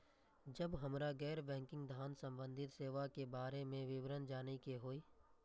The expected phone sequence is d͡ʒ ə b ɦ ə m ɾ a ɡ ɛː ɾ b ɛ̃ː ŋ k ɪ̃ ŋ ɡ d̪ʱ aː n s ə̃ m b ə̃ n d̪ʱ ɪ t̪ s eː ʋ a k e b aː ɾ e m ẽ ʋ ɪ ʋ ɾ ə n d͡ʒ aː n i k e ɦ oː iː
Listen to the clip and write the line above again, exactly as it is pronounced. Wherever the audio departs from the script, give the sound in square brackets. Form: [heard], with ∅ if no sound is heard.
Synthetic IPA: d͡ʒ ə b ɦ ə m ɾ a ɡ ɛː ɾ b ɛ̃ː ŋ k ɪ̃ ŋ ɡ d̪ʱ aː n s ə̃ m b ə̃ n d̪ʱ ɪ t̪ s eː ʋ a k e b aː ɾ e m ẽ ʋ ɪ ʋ ɾ ə n d͡ʒ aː n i k e ɦ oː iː

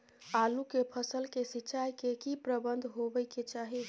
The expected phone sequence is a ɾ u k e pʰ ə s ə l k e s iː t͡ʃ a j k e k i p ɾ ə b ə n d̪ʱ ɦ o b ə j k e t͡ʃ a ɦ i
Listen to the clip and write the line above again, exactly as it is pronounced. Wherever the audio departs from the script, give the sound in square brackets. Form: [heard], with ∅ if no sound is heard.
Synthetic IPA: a [l] u k e pʰ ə s ə l k e s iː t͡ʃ a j k e k i p ɾ ə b ə n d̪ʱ ɦ o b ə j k e t͡ʃ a ɦ i

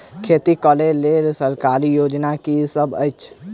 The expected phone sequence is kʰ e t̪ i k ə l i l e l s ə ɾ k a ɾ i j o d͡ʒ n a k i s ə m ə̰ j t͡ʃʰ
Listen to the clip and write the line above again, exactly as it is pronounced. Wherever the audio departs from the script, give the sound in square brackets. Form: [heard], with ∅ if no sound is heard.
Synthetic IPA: kʰ e t̪ i k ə l [e] l e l s ə ɾ k a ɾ i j o d͡ʒ n a k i s ə [b] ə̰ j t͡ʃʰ

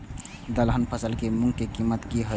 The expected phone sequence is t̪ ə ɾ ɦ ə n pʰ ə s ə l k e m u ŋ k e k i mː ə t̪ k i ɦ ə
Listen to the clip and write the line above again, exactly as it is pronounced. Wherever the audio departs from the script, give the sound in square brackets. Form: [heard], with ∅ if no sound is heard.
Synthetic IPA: [d̪] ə [l] ɦ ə n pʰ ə s ə l k e m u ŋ k e k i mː ə t̪ k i ɦ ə

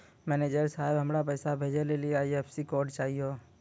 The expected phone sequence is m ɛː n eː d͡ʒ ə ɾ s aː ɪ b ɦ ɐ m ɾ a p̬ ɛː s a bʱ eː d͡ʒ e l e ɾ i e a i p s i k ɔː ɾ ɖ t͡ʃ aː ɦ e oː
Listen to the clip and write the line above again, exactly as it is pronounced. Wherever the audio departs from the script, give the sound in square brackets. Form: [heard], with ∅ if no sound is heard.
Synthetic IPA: m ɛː n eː d͡ʒ ə ɾ s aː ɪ b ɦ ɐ m ɾ a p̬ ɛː s a bʱ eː d͡ʒ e l e [l] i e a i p s i k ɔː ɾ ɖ t͡ʃ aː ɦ [i] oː

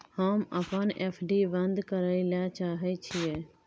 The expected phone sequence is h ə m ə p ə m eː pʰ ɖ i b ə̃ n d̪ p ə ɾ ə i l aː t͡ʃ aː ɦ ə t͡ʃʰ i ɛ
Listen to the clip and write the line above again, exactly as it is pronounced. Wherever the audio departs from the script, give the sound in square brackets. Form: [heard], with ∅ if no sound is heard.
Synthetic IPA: h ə m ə p ə [n] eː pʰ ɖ i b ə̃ n d̪ [k] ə ɾ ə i l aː t͡ʃ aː ɦ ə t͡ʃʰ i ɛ

